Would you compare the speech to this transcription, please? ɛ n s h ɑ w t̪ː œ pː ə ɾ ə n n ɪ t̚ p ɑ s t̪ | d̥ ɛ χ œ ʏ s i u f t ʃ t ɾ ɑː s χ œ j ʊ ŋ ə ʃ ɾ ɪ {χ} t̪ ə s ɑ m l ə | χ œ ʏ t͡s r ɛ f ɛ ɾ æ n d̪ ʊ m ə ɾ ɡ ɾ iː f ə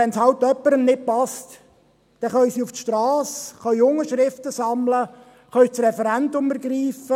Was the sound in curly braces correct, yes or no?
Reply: no